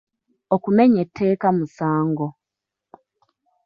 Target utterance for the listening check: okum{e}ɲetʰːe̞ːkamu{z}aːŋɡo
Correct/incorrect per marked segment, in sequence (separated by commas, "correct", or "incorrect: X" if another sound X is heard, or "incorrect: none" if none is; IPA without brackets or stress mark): correct, incorrect: s